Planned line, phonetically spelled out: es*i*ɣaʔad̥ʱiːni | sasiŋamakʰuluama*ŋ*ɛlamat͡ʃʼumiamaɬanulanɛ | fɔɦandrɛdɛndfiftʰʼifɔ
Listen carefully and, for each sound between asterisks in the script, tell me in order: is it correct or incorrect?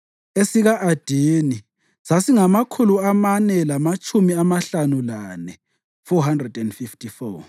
correct, incorrect: n

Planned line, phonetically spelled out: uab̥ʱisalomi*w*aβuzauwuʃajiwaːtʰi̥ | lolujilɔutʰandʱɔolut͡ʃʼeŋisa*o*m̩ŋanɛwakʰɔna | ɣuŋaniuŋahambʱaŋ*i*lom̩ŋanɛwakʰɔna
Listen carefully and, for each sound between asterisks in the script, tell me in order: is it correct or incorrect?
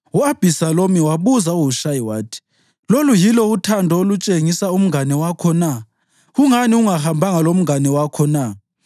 correct, incorrect: u, incorrect: a

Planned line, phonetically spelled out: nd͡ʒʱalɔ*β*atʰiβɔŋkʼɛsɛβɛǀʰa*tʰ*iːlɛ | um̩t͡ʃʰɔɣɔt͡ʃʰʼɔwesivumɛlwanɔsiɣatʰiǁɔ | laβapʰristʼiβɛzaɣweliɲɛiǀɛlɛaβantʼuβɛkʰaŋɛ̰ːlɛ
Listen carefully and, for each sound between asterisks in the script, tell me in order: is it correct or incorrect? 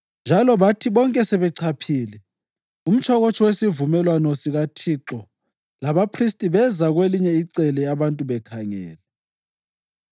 correct, incorrect: pʰ

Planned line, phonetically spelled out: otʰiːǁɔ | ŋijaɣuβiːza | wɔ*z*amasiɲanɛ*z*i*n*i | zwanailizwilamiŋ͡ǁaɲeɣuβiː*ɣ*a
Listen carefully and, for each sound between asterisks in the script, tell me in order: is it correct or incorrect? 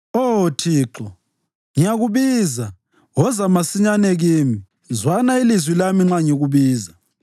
correct, incorrect: ɣ, incorrect: m, incorrect: z

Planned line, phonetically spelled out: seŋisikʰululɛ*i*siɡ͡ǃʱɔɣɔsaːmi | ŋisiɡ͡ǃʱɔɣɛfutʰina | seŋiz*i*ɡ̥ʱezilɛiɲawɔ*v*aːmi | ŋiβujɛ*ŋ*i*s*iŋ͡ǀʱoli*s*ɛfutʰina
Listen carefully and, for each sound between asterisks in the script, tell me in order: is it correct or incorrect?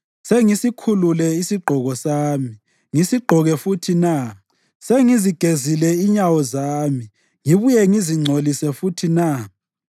correct, correct, incorrect: z, correct, incorrect: z, correct

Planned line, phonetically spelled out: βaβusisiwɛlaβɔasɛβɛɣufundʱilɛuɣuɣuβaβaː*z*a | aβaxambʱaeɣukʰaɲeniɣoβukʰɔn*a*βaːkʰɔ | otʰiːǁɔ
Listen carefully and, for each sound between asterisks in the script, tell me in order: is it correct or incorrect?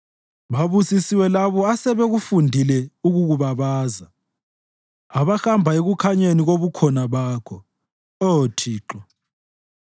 correct, correct

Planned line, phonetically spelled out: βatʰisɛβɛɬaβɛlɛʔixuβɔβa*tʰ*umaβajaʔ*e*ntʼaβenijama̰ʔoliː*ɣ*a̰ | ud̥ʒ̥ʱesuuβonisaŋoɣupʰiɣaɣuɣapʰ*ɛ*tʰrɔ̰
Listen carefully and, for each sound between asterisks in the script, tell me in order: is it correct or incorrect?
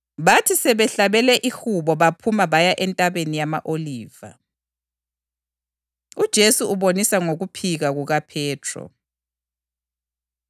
incorrect: pʰ, incorrect: ɛ, incorrect: v, incorrect: ɛː

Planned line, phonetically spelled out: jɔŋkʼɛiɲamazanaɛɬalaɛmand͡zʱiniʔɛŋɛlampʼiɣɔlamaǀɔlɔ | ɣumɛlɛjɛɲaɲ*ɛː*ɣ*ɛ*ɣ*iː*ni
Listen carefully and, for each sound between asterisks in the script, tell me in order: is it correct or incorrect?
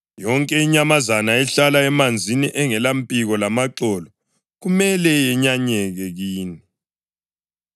incorrect: ɛ, correct, correct

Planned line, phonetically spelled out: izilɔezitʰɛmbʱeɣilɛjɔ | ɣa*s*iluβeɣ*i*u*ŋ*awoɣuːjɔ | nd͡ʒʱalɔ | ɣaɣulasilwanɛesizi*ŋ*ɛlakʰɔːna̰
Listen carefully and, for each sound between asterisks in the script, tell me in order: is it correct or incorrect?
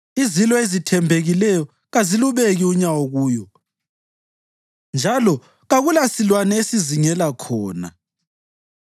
incorrect: z, correct, incorrect: ɲ, correct

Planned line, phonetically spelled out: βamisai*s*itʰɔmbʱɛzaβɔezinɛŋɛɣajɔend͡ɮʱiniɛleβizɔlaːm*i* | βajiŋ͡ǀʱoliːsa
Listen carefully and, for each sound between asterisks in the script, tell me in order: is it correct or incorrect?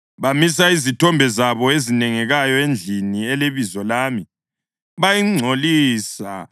incorrect: z, correct

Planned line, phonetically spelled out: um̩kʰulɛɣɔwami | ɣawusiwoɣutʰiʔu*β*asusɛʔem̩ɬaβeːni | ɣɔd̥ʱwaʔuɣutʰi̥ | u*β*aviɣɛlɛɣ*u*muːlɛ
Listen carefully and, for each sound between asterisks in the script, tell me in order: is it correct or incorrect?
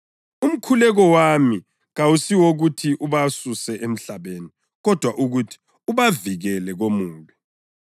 correct, correct, incorrect: o

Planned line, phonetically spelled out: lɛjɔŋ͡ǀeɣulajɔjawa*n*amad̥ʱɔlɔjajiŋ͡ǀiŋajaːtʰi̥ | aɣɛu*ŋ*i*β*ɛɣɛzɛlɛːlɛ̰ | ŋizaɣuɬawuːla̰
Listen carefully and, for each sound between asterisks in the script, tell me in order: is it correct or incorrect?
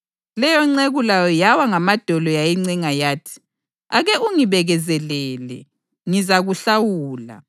incorrect: ŋ, correct, correct

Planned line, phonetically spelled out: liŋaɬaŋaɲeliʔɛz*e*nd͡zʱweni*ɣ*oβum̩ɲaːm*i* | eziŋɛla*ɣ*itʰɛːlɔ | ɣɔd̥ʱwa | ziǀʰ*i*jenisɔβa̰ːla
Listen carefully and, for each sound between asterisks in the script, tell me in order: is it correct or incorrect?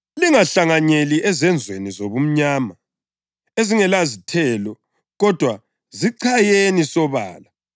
incorrect: ɛ, incorrect: z, incorrect: a, incorrect: z, incorrect: a

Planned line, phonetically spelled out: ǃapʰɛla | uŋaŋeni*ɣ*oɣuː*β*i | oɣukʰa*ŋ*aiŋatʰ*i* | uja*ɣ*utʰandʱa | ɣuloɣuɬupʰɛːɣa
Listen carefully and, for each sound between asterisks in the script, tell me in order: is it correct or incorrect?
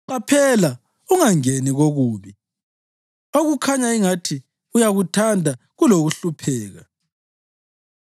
correct, correct, incorrect: ɲ, correct, correct

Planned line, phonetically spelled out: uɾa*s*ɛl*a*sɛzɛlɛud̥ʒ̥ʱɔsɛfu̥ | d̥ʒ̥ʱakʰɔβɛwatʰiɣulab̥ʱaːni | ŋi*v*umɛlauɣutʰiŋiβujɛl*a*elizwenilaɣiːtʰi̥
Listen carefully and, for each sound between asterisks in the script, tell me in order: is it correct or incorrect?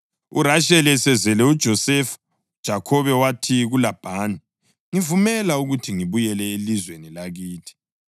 incorrect: ʃ, incorrect: ɛ, correct, incorrect: ɛ

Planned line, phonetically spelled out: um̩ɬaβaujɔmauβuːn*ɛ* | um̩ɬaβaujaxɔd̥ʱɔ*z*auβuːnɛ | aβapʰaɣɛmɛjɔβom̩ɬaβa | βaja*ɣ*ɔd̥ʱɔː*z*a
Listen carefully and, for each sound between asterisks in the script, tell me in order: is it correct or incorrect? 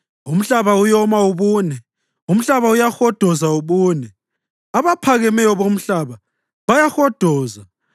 correct, correct, incorrect: x, correct

